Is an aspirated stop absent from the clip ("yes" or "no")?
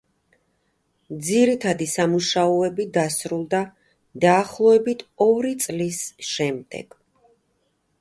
no